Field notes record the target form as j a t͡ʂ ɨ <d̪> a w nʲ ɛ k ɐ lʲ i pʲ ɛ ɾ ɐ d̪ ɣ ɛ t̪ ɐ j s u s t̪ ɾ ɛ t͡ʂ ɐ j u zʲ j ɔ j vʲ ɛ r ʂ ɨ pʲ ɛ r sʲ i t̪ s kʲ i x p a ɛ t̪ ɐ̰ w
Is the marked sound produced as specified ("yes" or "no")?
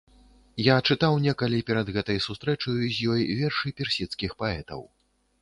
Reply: no